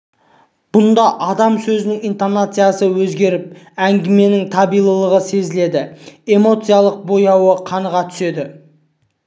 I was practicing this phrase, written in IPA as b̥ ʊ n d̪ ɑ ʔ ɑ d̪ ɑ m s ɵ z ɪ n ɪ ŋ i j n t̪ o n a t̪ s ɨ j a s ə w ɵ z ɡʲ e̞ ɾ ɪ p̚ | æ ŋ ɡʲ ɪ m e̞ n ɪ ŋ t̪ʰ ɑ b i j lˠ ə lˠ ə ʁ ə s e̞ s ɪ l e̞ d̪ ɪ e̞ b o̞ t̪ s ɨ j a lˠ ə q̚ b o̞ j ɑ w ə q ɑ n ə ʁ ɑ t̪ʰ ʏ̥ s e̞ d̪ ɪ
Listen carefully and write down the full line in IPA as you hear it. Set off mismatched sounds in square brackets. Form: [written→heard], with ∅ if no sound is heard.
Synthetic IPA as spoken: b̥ ʊ n d̪ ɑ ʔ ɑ d̪ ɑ m s ɵ z ɪ n ɪ ŋ i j n t̪ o n a t̪ s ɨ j a s ə w ɵ z ɡʲ e̞ ɾ ɪ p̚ | æ ŋ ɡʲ ɪ m e̞ n ɪ ŋ t̪ʰ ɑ b i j lˠ ə lˠ ə ʁ ə s e̞ [s→z] ɪ l e̞ d̪ ɪ e̞ [b→m] o̞ t̪ s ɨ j a lˠ ə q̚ b o̞ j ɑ w ə [q→qʰ] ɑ n ə ʁ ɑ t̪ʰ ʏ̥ s e̞ d̪ ɪ